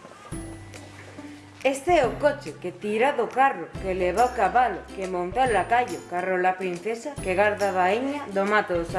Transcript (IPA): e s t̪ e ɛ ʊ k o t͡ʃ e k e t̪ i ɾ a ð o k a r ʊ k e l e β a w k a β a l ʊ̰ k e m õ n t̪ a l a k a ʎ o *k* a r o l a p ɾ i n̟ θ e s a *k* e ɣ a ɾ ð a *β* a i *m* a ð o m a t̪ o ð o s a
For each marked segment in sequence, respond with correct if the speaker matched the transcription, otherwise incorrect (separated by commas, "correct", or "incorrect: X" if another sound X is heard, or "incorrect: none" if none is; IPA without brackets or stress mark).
correct, correct, correct, incorrect: ɲ